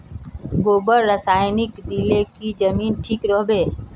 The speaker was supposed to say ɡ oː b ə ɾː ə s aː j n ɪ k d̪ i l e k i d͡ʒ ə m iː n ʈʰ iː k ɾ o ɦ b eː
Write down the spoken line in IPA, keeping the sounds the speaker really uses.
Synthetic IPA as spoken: ɡ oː b ə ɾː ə s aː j n ɪ k d̪ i l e k i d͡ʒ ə m iː n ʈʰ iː k ɾ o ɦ b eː

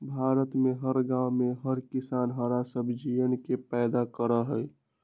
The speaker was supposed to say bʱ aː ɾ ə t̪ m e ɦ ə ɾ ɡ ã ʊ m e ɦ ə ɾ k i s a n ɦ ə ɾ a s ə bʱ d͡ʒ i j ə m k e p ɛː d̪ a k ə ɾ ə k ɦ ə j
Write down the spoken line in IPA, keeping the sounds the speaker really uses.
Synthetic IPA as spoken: bʱ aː ɾ ə t̪ m e ɦ ə ɾ ɡ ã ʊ m e ɦ ə ɾ k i s a n ɦ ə ɾ a s ə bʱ d͡ʒ i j ə n k e p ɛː d̪ a k ə ɾ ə ɦ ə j

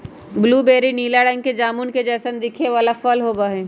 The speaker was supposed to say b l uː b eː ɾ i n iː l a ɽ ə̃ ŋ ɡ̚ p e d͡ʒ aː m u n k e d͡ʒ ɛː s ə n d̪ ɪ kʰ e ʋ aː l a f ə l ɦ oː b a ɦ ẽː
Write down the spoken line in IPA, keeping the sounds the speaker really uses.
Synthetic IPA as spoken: b l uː b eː ɾ i n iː l a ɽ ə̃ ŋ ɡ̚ k e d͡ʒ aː m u n k e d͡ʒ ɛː s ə n d̪ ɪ kʰ e ʋ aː l a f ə l ɦ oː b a ɦ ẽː

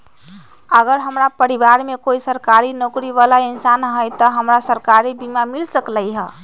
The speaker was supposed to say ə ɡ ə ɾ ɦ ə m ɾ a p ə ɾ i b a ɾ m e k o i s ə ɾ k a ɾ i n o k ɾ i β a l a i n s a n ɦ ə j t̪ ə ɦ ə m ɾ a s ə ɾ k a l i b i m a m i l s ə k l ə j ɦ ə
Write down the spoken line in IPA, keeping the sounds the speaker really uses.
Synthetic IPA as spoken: ə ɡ ə ɾ ɦ ə m ɾ a p ə ɾ i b a ɾ m e k o i s ə ɾ k a ɾ i n o k ɾ i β a l a i n s a n ɦ ə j t̪ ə ɦ ə m ɾ a s ə ɾ k a ɾ i b i m a m i l s ə k l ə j ɦ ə

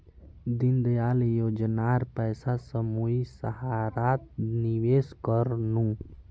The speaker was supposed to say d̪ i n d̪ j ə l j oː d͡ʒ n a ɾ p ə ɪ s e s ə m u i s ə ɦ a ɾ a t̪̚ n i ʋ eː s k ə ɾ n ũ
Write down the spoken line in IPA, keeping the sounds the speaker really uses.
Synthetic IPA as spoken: d̪ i n d̪ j a l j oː d͡ʒ n a ɾ p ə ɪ s a s ə m u i s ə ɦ a ɾ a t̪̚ n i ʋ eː s k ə ɾ n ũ

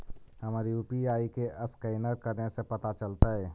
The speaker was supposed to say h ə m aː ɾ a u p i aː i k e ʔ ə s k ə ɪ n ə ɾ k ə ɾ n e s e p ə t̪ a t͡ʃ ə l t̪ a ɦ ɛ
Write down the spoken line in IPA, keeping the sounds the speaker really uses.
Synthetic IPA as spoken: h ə m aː ɾ i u p i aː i k e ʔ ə s k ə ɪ n ə ɾ k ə ɾ n e s e p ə t̪ a t͡ʃ ə l t̪ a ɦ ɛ

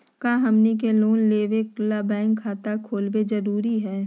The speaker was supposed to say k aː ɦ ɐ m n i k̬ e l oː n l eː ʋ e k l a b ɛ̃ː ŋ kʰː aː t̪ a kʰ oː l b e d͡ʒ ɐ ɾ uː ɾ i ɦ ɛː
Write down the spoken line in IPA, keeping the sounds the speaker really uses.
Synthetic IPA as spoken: k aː ɦ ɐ m n i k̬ e l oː n l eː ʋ e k l a b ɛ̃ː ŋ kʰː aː t̪ a kʰ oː l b e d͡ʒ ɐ ɾ uː ɾ i ɦ ɛː

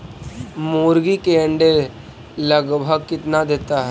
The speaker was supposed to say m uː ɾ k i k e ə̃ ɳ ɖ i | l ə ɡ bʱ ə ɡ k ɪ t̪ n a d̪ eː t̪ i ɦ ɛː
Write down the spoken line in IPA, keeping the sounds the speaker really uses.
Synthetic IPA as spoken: m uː ɾ ɡ i k e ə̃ ɳ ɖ e | l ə ɡ bʱ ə ɡ k ɪ t̪ n a d̪ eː t̪ a ɦ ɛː

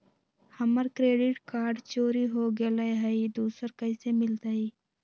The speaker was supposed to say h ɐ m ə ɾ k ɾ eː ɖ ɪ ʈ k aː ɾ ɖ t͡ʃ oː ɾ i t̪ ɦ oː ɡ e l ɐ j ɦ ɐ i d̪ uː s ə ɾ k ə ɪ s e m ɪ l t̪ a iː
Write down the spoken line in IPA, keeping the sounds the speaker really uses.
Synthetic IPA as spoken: h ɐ m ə ɾ k ɾ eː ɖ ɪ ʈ k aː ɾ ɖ t͡ʃ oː ɾ i ɦ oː ɡ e l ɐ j ɦ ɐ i d̪ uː s ə ɾ k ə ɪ s e m ɪ l t̪ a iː

